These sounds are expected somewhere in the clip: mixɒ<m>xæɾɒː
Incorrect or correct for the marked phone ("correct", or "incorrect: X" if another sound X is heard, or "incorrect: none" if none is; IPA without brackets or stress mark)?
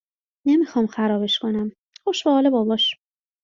correct